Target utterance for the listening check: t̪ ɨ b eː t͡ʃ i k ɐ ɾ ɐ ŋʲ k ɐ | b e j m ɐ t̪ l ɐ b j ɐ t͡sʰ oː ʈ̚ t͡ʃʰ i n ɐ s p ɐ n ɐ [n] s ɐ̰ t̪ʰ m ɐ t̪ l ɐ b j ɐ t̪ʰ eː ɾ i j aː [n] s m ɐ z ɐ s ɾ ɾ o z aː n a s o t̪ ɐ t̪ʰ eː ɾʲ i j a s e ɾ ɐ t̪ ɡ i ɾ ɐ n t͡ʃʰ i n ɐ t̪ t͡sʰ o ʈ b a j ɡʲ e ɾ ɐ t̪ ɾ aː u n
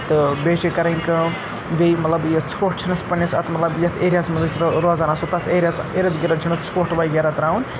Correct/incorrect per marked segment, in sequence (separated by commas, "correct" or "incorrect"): incorrect, incorrect